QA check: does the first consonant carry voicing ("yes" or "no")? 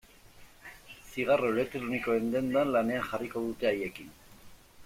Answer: no